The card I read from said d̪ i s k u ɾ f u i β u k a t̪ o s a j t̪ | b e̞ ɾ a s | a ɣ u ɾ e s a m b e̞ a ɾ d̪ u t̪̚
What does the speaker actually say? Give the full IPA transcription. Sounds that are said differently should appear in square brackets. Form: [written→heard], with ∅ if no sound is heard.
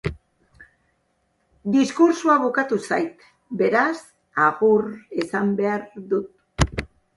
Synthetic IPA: d̪ i s k u ɾ [f→s] u [i→a] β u k a t̪ [o→u] s a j t̪ | b e̞ ɾ a s | a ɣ u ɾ e s a m b e̞ a ɾ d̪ u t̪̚

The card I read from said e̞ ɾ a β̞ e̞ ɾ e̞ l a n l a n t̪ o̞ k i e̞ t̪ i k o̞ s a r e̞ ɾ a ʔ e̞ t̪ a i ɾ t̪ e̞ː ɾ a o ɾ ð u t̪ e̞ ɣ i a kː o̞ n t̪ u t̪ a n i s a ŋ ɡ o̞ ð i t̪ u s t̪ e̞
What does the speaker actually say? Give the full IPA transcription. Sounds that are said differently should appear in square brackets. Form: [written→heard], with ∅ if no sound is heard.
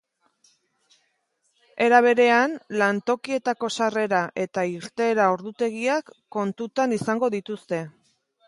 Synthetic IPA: e̞ ɾ a β̞ e̞ ɾ e̞ [l→∅] a n l a n t̪ o̞ k i e̞ t̪ [i→a] k o̞ s a r e̞ ɾ a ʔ e̞ t̪ a i ɾ t̪ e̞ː ɾ a o ɾ ð u t̪ e̞ ɣ i a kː o̞ n t̪ u t̪ a n i s a ŋ ɡ o̞ ð i t̪ u s t̪ e̞

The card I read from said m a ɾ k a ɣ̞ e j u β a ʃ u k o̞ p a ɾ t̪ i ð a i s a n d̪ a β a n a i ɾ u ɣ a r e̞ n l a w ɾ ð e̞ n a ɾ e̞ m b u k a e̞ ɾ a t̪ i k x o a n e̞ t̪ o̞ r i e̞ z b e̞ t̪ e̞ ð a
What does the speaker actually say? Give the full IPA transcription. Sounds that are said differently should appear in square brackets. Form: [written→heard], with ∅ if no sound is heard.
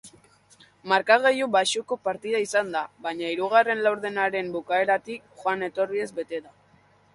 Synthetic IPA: m a ɾ k a ɣ̞ e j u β a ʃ u k o̞ p a ɾ t̪ i ð a i s a n d̪ a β a [n→ɲ] a i ɾ u ɣ a r e̞ n l a w ɾ ð e̞ n a ɾ e̞ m b u k a e̞ ɾ a t̪ i k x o a n e̞ t̪ o̞ r i e̞ z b e̞ t̪ e̞ ð a

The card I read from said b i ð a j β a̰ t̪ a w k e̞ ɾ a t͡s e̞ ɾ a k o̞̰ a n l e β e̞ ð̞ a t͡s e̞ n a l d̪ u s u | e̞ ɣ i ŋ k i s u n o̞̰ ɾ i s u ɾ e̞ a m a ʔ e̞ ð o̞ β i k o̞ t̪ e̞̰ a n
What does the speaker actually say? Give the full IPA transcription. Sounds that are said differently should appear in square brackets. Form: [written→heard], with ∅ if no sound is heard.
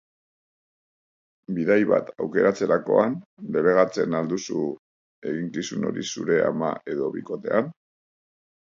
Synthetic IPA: b i ð a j β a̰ t̪ a w k e̞ ɾ a t͡s e̞ ɾ a k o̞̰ a n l e β e̞ [ð̞→ɣ̞] a t͡s e̞ n a l d̪ u s u | e̞ ɣ i ŋ k i s u n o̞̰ ɾ i s u ɾ e̞ a m a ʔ e̞ ð o̞ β i k o̞ t̪ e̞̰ a n

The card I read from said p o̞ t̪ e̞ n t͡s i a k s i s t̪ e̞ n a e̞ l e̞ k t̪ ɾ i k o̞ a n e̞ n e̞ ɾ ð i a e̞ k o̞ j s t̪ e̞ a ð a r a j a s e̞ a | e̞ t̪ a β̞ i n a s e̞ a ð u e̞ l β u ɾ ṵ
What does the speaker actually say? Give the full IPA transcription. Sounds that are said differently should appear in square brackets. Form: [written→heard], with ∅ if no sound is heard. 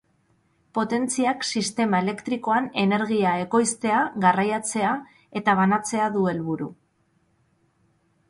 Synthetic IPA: p o̞ t̪ e̞ n t͡s i a k s i s t̪ e̞ [n→m] a e̞ l e̞ k t̪ ɾ i k o̞ a n e̞ n e̞ ɾ [ð→ɣ] i a e̞ k o̞ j s t̪ e̞ a [ð→ɣ] a r a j a [s→t͡s] e̞ a | e̞ t̪ a β̞ [i→a] n a [s→t͡s] e̞ a ð u e̞ l β u ɾ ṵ

